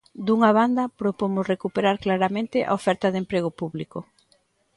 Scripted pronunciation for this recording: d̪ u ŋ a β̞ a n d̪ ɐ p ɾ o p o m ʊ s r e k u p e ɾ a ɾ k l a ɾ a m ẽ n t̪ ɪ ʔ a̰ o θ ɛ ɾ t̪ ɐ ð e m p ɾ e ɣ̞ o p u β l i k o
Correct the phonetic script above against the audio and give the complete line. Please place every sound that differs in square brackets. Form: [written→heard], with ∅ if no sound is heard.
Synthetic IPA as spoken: d̪ u ŋ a β̞ a n d̪ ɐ p ɾ o p o m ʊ s r e k u p e ɾ a ɾ k l a ɾ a m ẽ n t̪ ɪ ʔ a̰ o [θ→f] ɛ ɾ t̪ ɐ ð e m p ɾ e ɣ̞ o p u β l i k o